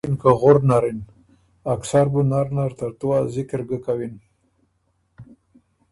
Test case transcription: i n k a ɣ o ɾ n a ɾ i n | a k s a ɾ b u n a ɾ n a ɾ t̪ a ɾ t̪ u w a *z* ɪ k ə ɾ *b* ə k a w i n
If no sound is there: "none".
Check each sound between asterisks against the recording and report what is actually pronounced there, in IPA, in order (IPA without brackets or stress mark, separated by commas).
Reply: z, ɡ